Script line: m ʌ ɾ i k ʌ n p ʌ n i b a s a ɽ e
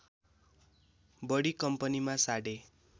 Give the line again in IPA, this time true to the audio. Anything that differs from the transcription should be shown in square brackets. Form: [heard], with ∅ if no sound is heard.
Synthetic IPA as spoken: [b] ʌ [ɽ] i k ʌ [m] p ʌ n i [m] a s a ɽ e